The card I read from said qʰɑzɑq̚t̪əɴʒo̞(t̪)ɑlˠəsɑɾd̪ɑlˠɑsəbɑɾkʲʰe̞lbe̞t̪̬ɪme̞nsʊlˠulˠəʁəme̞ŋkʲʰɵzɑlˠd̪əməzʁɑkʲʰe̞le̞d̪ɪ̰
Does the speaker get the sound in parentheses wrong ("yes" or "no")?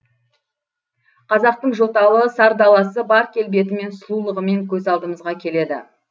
no